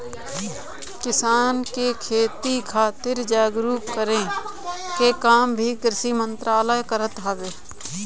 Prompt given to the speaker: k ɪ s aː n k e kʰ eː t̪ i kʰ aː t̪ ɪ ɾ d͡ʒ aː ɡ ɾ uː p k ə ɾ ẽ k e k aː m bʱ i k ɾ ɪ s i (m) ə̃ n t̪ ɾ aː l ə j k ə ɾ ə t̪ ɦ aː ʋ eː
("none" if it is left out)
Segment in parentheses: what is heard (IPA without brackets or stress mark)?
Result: m